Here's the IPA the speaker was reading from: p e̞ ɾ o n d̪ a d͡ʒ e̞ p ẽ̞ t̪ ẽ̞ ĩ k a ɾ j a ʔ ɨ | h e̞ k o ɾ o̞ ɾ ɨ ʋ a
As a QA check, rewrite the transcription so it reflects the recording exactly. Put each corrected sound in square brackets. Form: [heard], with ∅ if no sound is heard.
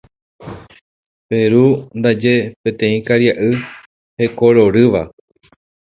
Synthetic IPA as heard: p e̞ ɾ [u] n d̪ a d͡ʒ e̞ p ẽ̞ t̪ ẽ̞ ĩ k a ɾ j a ʔ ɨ | h e̞ k o ɾ o̞ ɾ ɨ ʋ a